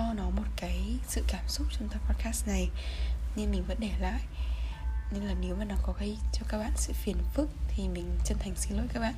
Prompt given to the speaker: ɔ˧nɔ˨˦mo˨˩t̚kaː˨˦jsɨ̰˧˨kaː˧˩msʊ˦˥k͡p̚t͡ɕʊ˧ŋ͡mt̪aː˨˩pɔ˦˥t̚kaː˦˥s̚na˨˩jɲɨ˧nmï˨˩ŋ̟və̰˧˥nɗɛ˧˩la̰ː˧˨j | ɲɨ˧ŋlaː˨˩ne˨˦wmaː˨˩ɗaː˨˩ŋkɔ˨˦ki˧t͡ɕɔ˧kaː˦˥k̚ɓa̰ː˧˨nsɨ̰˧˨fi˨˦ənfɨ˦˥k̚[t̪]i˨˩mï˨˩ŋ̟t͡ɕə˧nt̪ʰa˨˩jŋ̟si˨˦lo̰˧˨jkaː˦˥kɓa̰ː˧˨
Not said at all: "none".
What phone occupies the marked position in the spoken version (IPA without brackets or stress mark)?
t̪ʰ